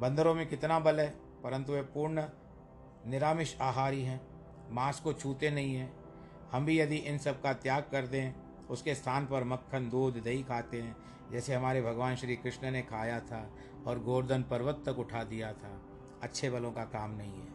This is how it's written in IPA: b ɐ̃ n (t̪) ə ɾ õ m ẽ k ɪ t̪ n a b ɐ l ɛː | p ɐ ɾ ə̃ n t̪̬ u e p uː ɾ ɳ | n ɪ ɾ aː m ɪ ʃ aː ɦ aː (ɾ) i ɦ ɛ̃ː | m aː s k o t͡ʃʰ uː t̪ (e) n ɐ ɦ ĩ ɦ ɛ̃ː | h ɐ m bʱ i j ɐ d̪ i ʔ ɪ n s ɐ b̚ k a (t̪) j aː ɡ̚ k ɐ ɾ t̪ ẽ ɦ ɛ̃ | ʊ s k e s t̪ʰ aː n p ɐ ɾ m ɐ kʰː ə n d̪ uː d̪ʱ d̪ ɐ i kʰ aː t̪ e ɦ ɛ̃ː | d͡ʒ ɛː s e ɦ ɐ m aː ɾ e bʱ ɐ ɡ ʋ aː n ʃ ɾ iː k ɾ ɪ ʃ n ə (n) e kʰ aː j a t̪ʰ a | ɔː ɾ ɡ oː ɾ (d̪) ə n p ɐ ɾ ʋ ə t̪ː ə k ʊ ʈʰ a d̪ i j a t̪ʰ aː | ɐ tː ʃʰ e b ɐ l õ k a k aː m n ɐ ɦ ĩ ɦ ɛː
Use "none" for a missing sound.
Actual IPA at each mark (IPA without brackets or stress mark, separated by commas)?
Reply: d̪, ɾ, e, t̪, n, d̪